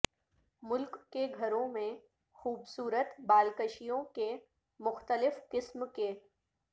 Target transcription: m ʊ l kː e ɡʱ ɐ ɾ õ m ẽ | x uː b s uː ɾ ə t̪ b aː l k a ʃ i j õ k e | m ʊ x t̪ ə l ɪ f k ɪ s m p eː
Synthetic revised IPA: m ʊ l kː e ɡʱ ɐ ɾ õ m ẽ | x uː b s uː ɾ ə t̪ b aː l k ə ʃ i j õ k e | m ʊ x t̪ ə l ɪ f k ɪ s m k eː